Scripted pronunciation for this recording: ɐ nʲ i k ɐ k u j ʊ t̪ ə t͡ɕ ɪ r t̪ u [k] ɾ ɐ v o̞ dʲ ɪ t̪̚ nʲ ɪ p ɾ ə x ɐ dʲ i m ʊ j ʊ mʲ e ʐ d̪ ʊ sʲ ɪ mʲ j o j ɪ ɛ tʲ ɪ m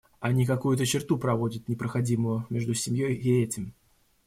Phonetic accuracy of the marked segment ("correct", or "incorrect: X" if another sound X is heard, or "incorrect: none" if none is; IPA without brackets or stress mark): incorrect: p